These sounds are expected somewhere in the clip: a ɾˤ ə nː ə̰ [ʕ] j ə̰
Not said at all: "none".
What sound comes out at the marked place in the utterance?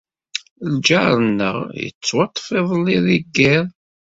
ʁ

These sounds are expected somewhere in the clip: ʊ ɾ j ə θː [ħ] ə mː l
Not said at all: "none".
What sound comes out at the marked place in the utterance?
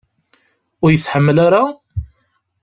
ħ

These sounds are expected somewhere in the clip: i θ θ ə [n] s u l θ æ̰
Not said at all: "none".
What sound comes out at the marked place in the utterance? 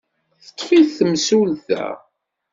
m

